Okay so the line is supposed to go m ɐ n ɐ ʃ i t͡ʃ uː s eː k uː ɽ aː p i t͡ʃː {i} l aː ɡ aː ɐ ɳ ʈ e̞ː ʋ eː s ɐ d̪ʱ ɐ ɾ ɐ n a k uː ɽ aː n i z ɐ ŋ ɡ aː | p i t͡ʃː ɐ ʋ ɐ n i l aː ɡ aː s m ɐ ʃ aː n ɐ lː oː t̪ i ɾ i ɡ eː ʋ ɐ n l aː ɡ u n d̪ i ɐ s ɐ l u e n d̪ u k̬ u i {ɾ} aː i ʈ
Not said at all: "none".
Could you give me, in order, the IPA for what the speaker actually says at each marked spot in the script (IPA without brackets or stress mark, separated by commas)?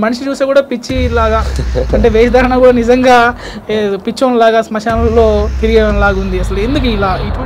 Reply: i, l